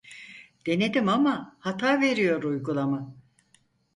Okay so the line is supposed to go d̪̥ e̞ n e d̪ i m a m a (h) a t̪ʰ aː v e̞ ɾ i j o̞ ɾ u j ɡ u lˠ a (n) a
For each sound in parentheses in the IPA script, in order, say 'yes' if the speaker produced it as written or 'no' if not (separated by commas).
yes, no